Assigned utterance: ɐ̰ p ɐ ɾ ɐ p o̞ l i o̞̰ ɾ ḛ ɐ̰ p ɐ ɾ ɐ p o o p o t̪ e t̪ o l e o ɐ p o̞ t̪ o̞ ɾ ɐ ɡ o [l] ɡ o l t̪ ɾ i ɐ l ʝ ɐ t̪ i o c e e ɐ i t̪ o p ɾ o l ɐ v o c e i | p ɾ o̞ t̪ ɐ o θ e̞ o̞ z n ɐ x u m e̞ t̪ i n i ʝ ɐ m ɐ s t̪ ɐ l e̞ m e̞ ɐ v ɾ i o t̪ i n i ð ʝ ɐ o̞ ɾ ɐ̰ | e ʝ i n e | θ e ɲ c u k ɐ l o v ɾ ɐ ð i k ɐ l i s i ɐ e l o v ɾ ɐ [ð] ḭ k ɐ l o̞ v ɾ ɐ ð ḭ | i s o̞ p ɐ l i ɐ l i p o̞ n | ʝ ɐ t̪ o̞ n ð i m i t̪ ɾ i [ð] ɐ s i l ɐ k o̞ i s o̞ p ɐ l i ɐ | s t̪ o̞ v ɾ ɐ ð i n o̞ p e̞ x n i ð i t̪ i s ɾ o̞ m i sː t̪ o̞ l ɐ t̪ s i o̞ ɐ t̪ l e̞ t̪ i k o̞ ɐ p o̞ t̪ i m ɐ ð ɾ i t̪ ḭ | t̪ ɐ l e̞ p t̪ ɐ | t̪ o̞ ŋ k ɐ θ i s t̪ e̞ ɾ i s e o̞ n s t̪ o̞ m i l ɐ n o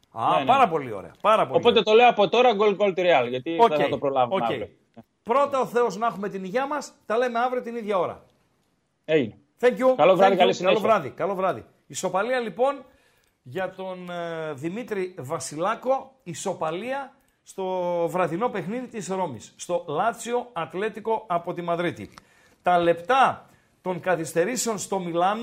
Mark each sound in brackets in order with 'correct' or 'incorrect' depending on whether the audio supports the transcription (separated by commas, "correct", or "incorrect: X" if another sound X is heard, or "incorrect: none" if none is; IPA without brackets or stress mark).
correct, correct, incorrect: v